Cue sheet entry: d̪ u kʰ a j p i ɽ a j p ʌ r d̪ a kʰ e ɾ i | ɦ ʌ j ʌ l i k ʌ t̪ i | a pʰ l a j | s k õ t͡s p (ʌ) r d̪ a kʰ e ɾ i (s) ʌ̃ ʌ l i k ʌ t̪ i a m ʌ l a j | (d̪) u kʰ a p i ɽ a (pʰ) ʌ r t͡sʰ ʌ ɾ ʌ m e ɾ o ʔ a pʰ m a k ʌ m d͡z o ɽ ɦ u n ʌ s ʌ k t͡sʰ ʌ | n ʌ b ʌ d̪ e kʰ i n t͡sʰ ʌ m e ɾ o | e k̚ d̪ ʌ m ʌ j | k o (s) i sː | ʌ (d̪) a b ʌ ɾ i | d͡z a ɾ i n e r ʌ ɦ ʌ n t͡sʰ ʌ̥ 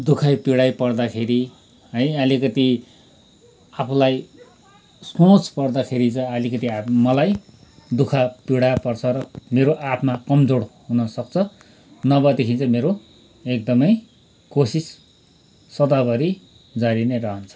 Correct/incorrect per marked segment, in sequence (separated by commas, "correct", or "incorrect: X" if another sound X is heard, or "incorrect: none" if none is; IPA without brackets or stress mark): correct, incorrect: t͡s, correct, incorrect: p, correct, correct